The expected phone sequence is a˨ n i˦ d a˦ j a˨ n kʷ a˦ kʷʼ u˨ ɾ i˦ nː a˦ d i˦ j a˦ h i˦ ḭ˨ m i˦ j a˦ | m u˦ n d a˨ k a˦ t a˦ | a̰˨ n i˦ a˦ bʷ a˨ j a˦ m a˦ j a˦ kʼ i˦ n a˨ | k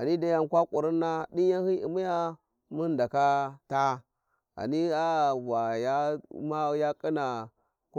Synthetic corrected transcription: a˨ n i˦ d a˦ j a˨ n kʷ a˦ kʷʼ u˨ ɾ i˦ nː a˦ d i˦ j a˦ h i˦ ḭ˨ m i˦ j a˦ | m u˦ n d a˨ k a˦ t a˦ | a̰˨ n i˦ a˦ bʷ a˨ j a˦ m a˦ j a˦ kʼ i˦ n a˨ | k